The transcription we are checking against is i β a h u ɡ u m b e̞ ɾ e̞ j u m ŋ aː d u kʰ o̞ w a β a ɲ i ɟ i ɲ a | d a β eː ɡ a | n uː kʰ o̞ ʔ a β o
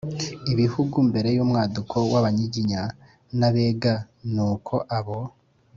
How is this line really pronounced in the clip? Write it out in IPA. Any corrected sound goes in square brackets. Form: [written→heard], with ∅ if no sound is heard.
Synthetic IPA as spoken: i β [a→i] h u ɡ u m b e̞ ɾ e̞ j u m ŋ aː d u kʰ o̞ w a β a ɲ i ɟ i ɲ a | [d→n] a β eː ɡ a | n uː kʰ o̞ ʔ a β o